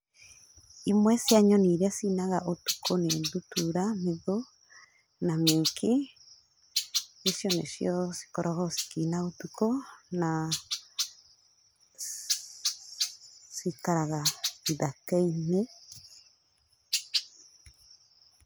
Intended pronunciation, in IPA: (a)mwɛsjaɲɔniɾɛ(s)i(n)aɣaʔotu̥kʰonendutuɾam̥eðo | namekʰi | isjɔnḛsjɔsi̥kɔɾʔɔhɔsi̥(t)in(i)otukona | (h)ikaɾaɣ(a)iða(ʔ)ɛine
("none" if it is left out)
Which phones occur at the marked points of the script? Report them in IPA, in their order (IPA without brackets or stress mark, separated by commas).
i, s, n, k, a, s, a, k